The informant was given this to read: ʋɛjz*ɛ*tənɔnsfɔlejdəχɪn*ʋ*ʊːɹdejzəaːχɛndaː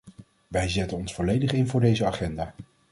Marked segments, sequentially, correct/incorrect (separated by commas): correct, incorrect